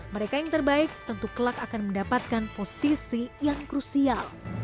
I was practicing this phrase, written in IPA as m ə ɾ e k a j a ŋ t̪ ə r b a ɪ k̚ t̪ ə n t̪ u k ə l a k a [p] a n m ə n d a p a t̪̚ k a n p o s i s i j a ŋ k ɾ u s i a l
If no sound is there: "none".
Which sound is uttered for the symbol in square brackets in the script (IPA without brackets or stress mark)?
k